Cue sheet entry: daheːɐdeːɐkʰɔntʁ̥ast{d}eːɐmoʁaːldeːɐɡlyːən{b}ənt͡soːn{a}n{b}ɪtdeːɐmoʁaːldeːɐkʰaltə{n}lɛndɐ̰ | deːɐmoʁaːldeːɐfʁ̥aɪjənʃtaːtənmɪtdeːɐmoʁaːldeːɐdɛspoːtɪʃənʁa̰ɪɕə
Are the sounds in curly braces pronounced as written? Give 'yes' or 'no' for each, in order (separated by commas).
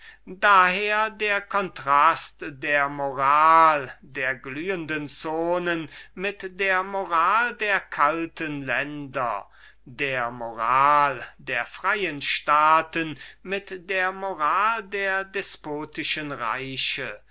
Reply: yes, no, no, no, yes